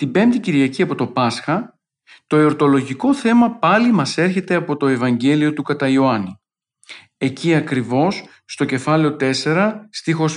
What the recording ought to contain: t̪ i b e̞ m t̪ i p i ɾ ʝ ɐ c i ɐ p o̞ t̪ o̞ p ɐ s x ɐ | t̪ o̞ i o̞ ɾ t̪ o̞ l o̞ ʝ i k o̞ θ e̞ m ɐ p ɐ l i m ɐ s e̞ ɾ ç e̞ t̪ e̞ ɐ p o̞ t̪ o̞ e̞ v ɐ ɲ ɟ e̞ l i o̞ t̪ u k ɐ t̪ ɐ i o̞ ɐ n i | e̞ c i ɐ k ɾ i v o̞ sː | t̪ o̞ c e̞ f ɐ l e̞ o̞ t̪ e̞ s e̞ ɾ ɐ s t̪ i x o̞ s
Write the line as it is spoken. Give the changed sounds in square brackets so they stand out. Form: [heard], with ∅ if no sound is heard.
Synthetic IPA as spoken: t̪ i b e̞ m t̪ i [c] i ɾ ʝ ɐ c i ɐ p o̞ t̪ o̞ p ɐ s x ɐ | t̪ o̞ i o̞ ɾ t̪ o̞ l o̞ ʝ i k o̞ θ e̞ m ɐ p ɐ l i m ɐ s e̞ ɾ ç e̞ t̪ e̞ ɐ p o̞ t̪ o̞ e̞ v ɐ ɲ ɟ e̞ l i o̞ t̪ u k ɐ t̪ ɐ i o̞ ɐ n i | e̞ c i ɐ k ɾ i v o̞ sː | t̪ o̞ c e̞ f ɐ l e̞ o̞ t̪ e̞ s e̞ ɾ ɐ s t̪ i x o̞ s